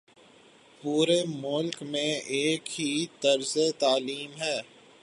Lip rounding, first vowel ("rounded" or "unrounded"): rounded